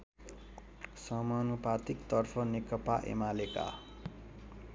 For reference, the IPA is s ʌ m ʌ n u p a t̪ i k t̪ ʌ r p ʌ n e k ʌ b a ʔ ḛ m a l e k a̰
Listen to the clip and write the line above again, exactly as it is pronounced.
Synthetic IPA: s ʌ m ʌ n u p a t̪ i k t̪ ʌ r pʰ ʌ n e k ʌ p a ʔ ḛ m a l e k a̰